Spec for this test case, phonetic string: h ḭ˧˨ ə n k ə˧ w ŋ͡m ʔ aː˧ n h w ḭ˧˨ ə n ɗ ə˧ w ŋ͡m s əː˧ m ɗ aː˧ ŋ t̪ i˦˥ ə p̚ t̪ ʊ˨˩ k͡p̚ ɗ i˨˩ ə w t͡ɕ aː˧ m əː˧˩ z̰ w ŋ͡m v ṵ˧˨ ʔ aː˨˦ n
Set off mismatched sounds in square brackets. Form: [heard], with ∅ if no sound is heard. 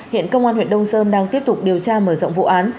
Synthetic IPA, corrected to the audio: h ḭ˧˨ ə n k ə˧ w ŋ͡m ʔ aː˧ n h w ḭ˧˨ ə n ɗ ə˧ w ŋ͡m s əː˧ m ɗ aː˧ ŋ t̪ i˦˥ ə p̚ t̪ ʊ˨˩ k͡p̚ ɗ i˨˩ ə w t͡ɕ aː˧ m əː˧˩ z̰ w ŋ͡m v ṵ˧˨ ʔ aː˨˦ n